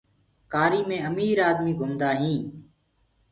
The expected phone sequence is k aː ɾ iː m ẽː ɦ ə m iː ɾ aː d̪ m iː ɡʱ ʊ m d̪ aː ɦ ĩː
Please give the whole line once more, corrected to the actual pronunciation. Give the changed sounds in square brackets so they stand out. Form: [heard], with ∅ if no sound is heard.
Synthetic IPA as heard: k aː ɾ iː m ẽː [∅] ə m iː ɾ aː d̪ m iː ɡʱ ʊ m d̪ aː ɦ ĩː